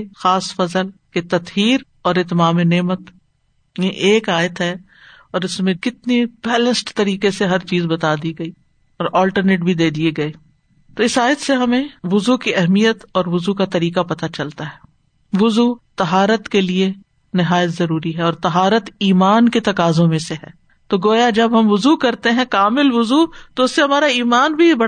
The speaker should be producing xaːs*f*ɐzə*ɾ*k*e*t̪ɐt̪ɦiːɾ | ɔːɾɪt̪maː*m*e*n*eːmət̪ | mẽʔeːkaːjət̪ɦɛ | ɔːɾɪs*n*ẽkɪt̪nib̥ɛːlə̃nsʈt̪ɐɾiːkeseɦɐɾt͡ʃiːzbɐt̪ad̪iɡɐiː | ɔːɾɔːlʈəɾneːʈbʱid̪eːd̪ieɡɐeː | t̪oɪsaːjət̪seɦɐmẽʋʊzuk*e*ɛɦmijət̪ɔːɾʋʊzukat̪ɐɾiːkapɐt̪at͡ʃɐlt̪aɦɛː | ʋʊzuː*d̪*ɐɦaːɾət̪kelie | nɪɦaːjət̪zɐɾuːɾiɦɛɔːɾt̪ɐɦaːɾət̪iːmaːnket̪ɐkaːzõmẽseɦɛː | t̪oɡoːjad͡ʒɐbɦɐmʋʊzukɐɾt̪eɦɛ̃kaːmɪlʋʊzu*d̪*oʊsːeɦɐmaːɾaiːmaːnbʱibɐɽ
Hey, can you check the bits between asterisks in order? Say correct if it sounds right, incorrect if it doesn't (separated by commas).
correct, incorrect, correct, correct, correct, incorrect, incorrect, incorrect, incorrect